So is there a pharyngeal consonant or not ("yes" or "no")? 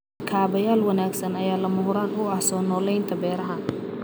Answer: no